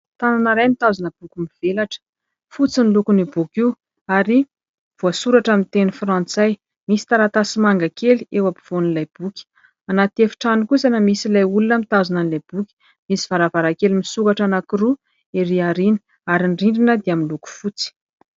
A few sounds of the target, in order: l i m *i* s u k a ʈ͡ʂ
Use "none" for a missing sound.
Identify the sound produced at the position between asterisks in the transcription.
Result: i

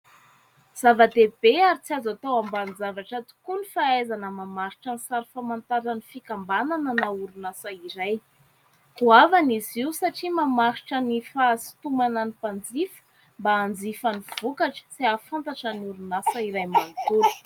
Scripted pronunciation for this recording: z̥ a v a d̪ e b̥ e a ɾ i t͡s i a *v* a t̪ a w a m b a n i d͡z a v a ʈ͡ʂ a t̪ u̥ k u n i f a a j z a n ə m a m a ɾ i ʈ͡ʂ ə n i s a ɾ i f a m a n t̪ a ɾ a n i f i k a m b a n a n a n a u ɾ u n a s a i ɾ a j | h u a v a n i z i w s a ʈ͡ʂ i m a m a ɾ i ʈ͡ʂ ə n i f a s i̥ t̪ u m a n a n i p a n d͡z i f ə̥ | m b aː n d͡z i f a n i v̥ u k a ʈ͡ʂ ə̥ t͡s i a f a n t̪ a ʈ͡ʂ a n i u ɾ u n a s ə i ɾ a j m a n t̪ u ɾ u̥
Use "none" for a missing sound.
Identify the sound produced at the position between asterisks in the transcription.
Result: z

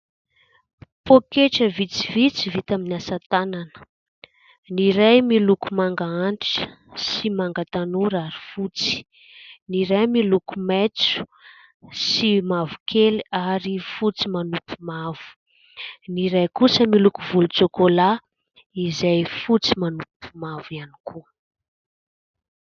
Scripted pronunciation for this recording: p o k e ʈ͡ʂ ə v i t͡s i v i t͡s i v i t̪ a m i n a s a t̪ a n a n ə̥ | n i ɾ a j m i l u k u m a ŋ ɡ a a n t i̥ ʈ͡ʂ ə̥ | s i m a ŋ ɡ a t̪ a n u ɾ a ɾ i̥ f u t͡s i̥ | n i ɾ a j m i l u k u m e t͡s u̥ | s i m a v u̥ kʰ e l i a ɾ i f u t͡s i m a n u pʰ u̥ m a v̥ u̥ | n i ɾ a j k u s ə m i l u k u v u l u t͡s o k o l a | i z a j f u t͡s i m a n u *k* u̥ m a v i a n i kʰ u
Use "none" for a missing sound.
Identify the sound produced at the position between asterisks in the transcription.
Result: p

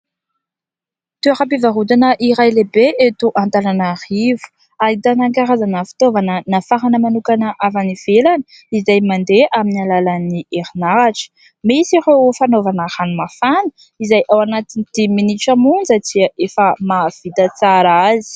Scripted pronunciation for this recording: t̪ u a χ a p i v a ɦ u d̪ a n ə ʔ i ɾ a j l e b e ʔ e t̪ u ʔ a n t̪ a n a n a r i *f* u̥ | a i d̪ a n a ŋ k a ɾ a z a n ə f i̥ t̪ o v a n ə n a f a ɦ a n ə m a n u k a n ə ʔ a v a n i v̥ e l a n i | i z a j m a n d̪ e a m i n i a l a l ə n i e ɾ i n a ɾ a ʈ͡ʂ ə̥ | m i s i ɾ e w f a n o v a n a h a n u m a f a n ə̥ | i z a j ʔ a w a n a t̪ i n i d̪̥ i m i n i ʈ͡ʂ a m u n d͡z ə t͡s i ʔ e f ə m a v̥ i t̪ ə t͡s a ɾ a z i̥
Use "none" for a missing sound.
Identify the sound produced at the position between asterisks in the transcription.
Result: v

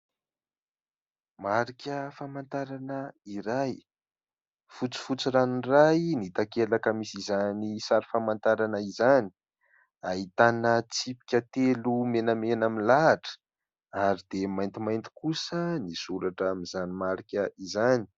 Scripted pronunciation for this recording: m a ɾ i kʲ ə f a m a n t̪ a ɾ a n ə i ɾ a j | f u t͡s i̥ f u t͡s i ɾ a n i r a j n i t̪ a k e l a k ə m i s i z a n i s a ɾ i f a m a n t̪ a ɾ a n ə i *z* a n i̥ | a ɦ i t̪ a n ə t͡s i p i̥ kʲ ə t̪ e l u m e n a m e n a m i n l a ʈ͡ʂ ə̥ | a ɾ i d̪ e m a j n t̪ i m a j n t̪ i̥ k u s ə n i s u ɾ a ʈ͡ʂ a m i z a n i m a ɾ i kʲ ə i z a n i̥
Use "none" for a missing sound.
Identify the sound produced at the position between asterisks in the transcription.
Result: z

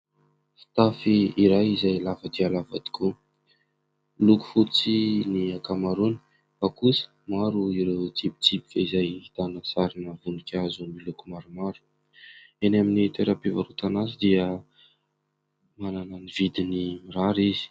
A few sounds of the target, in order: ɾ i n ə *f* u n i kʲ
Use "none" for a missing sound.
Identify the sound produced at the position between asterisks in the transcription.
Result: v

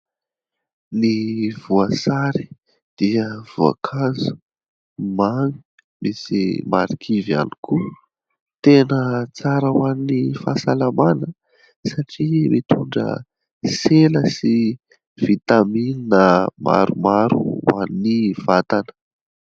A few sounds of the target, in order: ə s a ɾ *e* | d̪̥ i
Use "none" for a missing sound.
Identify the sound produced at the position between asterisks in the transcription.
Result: i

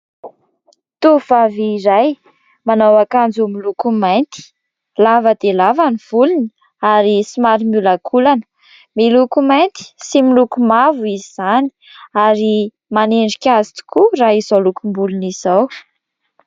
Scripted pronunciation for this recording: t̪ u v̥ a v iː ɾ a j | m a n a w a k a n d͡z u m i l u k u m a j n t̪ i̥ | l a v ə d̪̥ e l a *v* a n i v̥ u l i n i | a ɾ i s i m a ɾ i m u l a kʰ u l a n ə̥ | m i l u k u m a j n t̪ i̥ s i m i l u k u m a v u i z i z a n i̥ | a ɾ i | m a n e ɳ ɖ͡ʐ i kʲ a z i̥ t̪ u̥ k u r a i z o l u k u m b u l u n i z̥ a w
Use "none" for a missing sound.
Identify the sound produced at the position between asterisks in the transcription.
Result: v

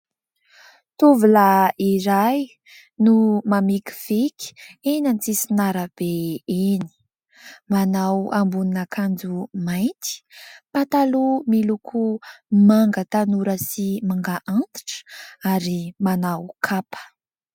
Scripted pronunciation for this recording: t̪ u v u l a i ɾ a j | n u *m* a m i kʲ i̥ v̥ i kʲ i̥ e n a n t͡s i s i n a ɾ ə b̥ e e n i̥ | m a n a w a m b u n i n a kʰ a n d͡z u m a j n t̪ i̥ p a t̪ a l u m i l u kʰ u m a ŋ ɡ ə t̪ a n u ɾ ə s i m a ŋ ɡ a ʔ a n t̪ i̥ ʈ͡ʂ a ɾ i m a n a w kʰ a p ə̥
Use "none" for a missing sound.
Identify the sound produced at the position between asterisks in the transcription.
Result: m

